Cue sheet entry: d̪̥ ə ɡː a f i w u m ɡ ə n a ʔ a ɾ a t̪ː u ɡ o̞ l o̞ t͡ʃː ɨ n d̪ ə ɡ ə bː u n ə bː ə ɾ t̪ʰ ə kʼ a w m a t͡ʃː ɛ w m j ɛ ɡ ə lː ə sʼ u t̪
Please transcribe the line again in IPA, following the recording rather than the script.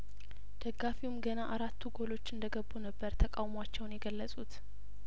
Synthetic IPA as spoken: d̪̥ ə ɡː a f i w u m ɡ ə n a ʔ a ɾ a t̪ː u ɡ o̞ l o̞ t͡ʃː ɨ n d̪ ə ɡ ə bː u n ə bː ə ɾ t̪ʰ ə kʼ a w m a t͡ʃː ɛ w n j ɛ ɡ ə lː ə sʼ u t̪

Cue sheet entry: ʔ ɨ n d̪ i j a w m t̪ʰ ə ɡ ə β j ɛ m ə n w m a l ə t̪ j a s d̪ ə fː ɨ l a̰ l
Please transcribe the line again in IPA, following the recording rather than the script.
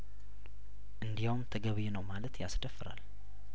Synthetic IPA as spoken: ʔ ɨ n d̪ i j a w m t̪ʰ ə ɡ ə β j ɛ n ə w m a l ə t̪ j a s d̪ ə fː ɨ ɾ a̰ l

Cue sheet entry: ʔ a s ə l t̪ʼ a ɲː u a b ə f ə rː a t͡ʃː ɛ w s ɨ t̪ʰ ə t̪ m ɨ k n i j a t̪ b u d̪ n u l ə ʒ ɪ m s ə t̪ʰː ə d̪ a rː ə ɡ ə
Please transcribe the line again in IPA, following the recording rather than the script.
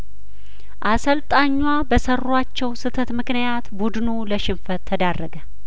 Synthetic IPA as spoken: ʔ a s ə l t̪ʼ a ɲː w a b ə s ə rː a t͡ʃː ɛ w s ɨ t̪ʰ ə t̪ m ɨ k n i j a t̪ b u d̪ n u l ə ʃ ɪ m f ə t̪ʰː ə d̪ a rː ə ɡ ə

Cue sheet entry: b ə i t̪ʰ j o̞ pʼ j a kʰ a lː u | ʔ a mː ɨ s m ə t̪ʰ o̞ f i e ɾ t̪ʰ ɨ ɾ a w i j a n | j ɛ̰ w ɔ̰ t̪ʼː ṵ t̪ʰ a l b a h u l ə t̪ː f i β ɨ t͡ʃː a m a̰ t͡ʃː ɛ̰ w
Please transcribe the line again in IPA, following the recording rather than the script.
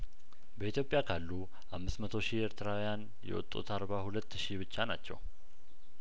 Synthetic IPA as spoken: b ə i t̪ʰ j o̞ pʼ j a kʰ a lː u | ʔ a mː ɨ s m ə t̪ʰ o̞ ʃ i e ɾ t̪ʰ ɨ ɾ a w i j a n | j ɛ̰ w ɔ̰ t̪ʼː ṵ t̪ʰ a ɾ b a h u l ə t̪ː ʃ i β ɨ t͡ʃː a n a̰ t͡ʃː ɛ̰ w

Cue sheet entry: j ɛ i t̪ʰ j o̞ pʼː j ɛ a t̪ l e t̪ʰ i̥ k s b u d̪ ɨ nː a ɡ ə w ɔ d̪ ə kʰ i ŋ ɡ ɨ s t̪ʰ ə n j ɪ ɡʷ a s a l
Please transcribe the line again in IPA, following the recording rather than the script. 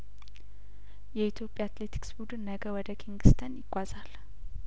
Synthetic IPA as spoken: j ɛ i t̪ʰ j o̞ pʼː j a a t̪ l e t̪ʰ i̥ k s b u d̪ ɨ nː ə ɡ ə w ɔ d̪ ə kʰ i ŋ ɡ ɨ s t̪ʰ ə n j ɪ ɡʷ a z a l

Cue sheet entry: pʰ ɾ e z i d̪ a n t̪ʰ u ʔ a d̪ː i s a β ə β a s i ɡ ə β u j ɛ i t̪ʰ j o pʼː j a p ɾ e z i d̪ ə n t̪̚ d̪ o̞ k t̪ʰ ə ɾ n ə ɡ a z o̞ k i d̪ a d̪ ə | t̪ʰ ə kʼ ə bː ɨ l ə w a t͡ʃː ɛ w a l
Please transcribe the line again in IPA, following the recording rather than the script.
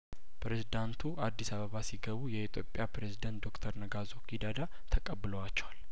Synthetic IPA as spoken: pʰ ɾ e z i d̪ a n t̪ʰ u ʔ a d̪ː i s a β ə β a s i ɡ ə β u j ɛ i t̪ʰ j o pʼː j a p ɾ e z i d̪ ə n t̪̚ d̪ o̞ k t̪ʰ ə ɾ n ə ɡ a z o̞ k i d̪ a d̪ a | t̪ʰ ə kʼ ə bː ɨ l ə w a t͡ʃː ɛ w a l

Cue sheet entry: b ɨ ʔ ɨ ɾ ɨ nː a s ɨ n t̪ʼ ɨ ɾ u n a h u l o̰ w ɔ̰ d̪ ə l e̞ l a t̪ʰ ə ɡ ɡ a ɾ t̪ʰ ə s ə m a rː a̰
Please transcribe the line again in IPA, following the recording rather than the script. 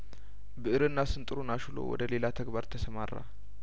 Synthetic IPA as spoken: b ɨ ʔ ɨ ɾ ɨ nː a s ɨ n t̪ʼ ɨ ɾ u n a ʃ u l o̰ w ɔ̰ d̪ ə l e̞ l a t̪ʰ ə ɡ b a ɾ t̪ʰ ə s ə m a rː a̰

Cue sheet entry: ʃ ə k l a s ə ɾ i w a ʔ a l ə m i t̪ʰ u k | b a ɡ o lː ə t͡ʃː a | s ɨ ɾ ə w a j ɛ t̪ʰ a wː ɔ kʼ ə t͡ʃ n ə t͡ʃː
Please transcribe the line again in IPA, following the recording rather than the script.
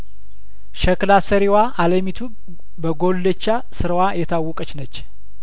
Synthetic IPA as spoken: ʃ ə k l a s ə ɾ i w a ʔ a l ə m i t̪ʰ u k | b ə ɡ o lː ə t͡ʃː a | s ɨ ɾ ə w a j ɛ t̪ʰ a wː ɔ kʼ ə t͡ʃ n ə t͡ʃː

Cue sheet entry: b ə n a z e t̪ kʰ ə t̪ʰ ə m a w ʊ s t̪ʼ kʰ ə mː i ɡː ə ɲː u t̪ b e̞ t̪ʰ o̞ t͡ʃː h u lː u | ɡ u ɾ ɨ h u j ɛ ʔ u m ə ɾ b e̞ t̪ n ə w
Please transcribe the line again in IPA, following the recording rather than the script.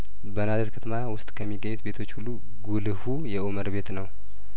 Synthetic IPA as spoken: b ə n a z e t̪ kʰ ə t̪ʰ ə m a w ʊ s t̪ʼ kʰ ə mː i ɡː ə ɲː u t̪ b e̞ t̪ʰ o̞ t͡ʃː h u lː u | ɡ u l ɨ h u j ɛ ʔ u m ə ɾ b e̞ t̪ n ə w

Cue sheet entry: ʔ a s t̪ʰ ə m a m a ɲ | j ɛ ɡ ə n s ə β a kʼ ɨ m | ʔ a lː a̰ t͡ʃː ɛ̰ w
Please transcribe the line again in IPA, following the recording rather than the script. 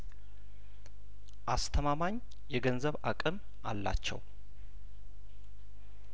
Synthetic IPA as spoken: ʔ a s t̪ʰ ə m a m a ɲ | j ɛ ɡ ə n z ə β a kʼ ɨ m | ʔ a lː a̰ t͡ʃː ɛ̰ w

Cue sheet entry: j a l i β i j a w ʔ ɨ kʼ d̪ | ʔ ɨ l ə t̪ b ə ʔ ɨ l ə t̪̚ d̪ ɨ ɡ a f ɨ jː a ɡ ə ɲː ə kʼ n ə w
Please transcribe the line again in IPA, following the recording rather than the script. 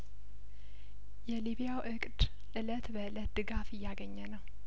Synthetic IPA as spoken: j ɛ l i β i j a w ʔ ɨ kʼ d̪ | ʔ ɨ l ə t̪ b ə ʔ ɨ l ə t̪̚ d̪ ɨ ɡ a f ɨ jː a ɡ ə ɲː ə n ə w

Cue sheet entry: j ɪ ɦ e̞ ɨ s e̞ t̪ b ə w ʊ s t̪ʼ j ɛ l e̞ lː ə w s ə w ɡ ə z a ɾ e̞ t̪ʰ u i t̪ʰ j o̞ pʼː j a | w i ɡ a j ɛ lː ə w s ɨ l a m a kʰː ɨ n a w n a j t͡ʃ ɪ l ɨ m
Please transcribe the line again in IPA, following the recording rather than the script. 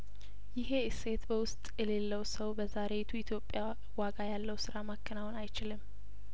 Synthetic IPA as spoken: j ɪ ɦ e̞ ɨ s e̞ t̪ b ə w ʊ s t̪ʼ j ɛ l e̞ lː ə w s ə w b ə z a ɾ e̞ t̪ʰ u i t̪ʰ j o̞ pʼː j a | w a ɡ a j a lː ə w s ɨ ɾ a m a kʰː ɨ n a w n a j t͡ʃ ɪ l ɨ m

